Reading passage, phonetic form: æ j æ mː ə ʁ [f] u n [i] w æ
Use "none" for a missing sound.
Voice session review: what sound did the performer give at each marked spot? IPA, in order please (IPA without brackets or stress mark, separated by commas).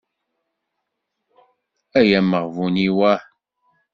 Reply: v, i